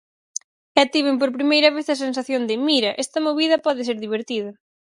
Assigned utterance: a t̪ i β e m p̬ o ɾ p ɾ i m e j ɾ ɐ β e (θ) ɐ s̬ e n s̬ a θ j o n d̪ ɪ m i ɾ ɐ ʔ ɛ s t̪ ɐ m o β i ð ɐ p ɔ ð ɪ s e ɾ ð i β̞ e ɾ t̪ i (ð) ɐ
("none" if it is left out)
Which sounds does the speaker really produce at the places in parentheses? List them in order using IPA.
θ, ð

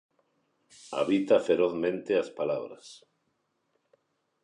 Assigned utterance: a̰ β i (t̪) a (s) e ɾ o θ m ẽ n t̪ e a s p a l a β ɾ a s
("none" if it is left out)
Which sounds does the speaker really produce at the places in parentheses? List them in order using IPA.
t̪, f

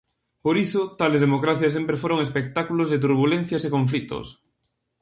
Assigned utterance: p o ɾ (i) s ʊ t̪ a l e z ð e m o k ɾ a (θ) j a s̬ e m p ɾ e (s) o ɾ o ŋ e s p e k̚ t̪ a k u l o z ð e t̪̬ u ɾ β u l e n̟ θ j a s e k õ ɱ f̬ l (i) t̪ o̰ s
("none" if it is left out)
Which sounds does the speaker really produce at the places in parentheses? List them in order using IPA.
i, θ, f, i

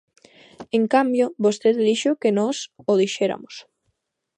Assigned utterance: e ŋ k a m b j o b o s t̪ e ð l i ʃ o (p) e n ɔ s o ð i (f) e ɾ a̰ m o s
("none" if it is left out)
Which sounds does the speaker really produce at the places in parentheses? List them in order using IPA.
k, ʃ

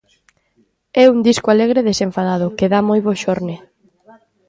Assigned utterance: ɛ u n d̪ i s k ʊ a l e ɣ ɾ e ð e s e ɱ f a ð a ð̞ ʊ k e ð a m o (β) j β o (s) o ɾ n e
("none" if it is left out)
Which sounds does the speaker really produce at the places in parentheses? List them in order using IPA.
none, ʃ

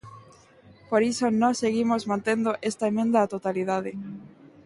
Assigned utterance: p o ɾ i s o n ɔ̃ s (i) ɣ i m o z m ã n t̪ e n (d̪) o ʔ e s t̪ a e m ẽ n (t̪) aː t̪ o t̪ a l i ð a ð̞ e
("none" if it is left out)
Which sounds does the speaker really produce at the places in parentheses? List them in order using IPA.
e, d̪, d̪

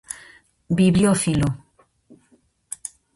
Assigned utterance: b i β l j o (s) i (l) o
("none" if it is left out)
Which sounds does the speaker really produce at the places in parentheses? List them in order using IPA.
f, l

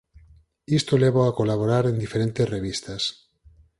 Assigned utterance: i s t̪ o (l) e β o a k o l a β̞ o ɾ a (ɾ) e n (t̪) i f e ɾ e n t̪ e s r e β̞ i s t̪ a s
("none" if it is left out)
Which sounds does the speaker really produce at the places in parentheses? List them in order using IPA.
l, ɾ, d̪

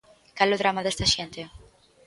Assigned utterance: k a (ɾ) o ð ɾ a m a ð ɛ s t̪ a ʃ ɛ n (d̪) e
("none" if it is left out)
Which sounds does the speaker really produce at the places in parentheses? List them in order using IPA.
l, t̪

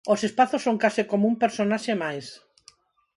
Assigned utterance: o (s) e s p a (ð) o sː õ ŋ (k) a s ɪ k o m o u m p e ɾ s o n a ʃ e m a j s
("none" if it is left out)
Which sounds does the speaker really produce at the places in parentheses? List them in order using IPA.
s, θ, k

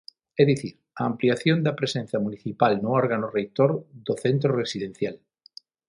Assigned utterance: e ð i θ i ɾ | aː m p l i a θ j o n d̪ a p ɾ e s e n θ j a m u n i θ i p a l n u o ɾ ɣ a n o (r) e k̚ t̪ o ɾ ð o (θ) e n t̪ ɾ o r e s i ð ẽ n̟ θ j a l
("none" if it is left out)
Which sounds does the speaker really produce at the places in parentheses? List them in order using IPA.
r, θ

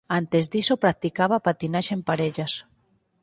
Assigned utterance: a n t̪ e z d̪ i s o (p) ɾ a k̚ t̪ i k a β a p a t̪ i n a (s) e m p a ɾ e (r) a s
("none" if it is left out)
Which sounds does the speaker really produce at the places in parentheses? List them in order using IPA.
p, ʃ, ʎ

